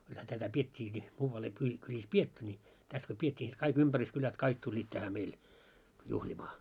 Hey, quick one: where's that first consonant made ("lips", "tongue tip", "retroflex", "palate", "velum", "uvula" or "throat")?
velum